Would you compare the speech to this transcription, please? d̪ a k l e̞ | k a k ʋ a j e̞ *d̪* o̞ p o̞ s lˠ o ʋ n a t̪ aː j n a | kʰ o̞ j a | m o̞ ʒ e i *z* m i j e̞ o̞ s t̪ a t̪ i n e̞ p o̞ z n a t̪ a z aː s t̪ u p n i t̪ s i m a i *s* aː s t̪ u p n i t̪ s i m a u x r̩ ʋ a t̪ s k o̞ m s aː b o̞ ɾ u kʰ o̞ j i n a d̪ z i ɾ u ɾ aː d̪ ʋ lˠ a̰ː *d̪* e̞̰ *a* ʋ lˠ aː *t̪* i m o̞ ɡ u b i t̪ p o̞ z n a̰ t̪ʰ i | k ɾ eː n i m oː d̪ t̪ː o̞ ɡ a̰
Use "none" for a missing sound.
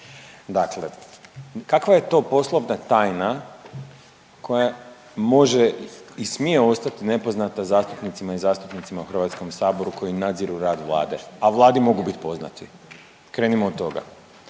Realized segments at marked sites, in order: t̪, s, z, d̪, a, d̪

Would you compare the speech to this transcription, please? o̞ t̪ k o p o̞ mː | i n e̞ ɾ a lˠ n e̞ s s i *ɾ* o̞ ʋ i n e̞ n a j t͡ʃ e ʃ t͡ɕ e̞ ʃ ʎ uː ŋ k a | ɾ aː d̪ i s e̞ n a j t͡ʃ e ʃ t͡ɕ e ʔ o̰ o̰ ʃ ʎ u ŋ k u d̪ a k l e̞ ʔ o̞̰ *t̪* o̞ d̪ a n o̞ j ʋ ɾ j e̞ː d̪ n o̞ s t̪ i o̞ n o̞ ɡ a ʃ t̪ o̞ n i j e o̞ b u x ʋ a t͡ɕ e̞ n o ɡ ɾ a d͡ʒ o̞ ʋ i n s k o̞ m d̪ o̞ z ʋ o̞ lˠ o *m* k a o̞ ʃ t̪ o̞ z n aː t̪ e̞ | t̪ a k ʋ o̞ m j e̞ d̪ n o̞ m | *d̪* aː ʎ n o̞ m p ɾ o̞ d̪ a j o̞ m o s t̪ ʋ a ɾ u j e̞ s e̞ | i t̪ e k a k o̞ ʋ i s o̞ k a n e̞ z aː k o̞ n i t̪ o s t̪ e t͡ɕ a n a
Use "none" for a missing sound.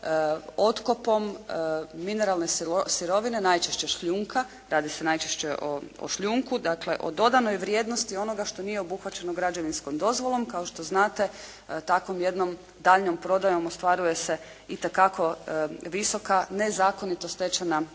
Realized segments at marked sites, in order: ɾ, d̪, m, d̪

